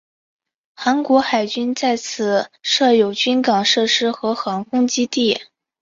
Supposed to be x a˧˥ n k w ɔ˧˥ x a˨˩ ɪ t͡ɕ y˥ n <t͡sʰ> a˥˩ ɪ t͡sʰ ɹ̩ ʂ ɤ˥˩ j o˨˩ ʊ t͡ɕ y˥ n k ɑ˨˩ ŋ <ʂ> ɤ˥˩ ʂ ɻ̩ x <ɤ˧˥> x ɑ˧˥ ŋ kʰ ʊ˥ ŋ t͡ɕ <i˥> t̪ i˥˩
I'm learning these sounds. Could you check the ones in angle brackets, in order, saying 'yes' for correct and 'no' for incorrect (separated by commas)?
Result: no, yes, yes, yes